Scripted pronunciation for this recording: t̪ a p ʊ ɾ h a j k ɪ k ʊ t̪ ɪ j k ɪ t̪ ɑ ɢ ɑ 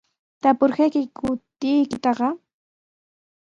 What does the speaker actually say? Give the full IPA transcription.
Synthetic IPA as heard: t̪ a p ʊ ɾ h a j k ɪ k ʊ t̪ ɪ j k ɪ t̪ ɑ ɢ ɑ